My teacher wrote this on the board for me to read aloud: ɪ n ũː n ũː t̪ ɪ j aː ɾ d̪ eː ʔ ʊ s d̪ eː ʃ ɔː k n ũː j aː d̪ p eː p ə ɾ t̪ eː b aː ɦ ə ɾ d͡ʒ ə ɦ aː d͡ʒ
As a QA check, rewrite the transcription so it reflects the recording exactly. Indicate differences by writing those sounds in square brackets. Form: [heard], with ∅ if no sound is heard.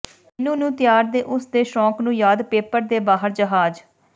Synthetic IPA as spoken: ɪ n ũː n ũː t̪ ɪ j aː ɾ d̪ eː ʔ ʊ s d̪ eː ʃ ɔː k n ũː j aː d̪ p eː p ə ɾ [d̪] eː b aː ɦ ə ɾ d͡ʒ ə ɦ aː d͡ʒ

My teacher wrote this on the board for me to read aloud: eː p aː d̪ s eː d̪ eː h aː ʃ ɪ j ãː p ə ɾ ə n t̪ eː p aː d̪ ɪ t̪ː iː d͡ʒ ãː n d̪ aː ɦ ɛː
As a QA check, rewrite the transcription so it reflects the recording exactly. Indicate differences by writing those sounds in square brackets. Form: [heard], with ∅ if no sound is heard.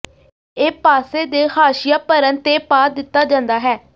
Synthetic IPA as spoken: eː p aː [∅] s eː d̪ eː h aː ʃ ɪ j [aː] p ə ɾ ə n t̪ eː p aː d̪ ɪ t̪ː [aː] d͡ʒ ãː n d̪ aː ɦ ɛː

